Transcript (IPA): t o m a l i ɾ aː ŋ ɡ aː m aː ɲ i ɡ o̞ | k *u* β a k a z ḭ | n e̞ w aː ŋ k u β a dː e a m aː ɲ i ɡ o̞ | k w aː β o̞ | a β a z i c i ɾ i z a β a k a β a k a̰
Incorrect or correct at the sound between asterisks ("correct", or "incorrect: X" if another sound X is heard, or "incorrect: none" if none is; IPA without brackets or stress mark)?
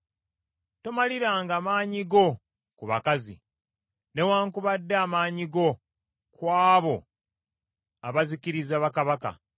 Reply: correct